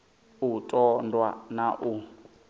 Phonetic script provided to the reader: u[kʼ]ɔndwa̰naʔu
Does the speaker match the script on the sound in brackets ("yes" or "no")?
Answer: no